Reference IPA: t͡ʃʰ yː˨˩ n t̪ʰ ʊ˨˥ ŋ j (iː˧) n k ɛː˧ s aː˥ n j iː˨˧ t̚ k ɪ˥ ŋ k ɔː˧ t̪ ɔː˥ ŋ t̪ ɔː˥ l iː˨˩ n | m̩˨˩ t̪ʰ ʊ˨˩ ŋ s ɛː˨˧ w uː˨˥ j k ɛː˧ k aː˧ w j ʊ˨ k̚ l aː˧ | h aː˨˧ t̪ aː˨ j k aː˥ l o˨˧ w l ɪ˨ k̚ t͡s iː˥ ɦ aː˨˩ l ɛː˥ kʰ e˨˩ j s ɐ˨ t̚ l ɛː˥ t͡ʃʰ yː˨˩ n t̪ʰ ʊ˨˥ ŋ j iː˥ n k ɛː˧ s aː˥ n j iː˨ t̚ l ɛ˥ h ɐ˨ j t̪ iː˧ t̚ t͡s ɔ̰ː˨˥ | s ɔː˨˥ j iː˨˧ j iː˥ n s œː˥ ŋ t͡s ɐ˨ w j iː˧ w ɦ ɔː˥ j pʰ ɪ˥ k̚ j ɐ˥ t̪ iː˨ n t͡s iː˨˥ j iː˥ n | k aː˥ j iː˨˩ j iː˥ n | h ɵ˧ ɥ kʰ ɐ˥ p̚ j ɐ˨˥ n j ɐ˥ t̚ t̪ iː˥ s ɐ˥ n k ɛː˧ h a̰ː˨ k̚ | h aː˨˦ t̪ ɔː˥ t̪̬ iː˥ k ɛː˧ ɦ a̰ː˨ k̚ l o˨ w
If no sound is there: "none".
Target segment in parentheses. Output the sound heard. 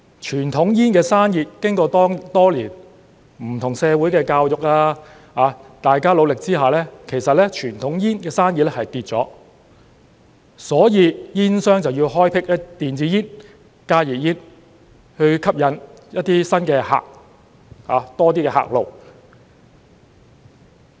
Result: iː˥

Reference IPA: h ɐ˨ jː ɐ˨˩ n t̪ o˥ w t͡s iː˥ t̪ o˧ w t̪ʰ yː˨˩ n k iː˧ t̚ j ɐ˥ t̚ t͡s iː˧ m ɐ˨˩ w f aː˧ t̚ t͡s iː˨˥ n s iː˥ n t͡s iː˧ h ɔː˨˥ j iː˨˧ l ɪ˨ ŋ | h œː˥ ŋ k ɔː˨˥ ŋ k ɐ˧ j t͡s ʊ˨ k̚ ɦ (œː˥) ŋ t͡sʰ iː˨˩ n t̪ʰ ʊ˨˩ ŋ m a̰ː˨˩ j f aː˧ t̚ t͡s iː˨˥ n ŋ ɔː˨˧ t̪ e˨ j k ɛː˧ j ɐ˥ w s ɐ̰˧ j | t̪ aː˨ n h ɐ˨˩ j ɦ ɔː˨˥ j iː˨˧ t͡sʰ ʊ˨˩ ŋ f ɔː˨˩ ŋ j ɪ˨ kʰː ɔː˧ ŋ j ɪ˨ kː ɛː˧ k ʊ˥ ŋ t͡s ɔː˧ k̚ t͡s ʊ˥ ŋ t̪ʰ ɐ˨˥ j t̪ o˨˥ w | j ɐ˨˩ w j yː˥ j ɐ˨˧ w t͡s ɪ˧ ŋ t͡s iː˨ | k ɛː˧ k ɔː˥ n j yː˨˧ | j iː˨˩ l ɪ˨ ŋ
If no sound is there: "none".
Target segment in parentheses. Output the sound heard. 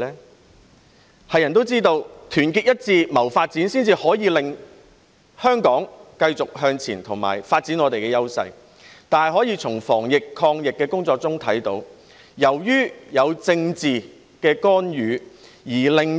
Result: œː˧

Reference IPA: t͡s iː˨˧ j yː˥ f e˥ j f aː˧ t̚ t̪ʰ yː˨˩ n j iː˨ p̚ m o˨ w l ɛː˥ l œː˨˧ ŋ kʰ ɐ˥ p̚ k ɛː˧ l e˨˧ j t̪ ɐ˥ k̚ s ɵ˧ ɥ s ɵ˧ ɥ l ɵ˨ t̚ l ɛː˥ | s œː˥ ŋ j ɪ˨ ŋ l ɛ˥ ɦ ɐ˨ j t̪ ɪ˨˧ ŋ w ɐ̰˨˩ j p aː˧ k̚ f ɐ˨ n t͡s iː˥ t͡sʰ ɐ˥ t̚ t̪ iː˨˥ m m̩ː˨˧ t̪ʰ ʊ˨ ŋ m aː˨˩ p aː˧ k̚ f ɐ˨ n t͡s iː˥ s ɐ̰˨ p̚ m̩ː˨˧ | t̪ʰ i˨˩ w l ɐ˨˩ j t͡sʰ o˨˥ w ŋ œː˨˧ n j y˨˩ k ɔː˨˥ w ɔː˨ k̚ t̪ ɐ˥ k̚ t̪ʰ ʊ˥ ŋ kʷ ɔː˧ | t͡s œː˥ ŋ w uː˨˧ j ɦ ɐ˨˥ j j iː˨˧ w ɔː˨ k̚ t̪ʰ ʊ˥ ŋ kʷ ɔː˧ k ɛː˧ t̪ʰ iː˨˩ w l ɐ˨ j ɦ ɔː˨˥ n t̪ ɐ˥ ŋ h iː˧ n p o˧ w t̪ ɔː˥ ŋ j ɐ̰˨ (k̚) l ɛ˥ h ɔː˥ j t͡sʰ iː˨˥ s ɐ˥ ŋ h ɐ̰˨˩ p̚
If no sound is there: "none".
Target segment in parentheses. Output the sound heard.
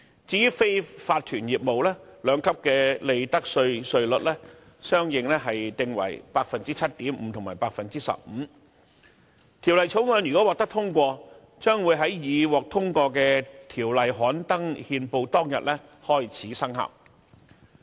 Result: t̚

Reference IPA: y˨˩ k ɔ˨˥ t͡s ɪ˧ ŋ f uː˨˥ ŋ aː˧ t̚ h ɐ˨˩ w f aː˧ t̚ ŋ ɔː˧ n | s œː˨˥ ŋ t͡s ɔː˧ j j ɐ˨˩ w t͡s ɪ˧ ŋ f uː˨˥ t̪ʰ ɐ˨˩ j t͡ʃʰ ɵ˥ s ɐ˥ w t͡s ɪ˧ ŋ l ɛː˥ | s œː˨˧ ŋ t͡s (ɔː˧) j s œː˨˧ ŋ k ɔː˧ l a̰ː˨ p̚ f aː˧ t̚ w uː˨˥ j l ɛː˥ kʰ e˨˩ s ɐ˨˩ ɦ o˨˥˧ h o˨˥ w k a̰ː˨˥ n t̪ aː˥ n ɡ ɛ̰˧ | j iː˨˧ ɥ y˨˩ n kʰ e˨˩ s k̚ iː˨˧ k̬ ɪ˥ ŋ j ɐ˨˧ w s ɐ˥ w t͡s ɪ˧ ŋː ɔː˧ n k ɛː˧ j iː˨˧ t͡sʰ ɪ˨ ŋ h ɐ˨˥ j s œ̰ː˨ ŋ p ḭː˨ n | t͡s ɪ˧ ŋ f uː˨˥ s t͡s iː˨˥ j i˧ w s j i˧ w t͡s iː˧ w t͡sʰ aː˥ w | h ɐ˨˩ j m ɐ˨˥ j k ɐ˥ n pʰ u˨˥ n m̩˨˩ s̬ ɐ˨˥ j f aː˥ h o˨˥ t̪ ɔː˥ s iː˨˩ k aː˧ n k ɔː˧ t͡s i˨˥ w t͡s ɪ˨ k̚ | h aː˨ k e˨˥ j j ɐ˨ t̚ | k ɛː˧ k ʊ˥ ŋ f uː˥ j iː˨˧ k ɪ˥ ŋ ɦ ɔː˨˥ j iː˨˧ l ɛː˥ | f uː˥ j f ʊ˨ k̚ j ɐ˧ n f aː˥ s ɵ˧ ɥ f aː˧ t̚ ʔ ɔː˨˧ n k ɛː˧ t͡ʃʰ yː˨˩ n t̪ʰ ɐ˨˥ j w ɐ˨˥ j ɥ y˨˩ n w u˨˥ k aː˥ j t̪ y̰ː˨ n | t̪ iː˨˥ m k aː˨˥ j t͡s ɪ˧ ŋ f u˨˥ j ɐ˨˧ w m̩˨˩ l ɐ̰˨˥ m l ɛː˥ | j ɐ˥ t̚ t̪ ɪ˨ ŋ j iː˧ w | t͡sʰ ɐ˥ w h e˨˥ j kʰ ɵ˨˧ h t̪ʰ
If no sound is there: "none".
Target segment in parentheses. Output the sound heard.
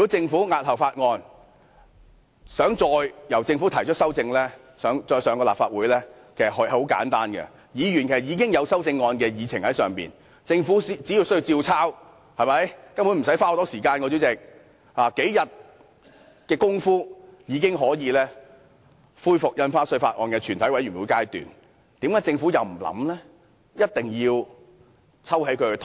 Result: ɔː˧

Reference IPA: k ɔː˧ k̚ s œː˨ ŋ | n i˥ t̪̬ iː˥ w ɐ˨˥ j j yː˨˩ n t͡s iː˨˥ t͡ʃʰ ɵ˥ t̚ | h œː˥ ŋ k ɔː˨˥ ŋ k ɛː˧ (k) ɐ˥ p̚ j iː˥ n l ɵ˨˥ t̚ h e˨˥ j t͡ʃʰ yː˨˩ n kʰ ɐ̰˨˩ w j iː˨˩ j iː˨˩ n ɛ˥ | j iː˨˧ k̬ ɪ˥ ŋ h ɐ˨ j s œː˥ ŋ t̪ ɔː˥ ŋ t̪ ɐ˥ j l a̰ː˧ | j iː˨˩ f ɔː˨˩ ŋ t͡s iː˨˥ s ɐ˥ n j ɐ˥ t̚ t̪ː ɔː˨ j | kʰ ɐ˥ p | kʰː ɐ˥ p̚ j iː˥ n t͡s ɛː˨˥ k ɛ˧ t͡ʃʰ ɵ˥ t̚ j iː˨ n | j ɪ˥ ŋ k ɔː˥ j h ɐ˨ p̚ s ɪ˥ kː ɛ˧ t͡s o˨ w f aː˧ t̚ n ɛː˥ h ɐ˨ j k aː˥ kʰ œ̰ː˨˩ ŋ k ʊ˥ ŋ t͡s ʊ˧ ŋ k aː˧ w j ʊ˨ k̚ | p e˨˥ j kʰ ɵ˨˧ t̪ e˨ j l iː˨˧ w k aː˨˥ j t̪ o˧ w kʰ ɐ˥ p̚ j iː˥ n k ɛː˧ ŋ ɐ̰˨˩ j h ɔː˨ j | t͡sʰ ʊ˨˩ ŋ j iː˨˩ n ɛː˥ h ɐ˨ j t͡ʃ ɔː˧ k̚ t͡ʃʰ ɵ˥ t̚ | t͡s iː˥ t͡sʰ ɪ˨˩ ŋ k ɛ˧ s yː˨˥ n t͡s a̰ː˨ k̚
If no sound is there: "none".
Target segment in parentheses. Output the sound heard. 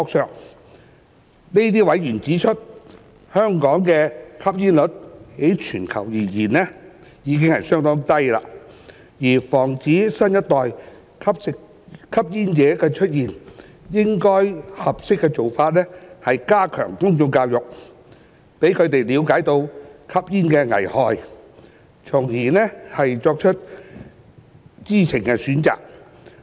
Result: kʰ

